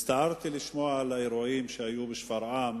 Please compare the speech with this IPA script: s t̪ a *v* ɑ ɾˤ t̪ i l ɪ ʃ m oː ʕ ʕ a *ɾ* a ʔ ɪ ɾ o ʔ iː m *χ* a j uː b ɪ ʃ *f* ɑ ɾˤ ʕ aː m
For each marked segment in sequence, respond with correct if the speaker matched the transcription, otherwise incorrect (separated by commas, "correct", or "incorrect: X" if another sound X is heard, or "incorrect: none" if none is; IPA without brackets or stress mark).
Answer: incorrect: ʕ, incorrect: l, incorrect: ʃ, correct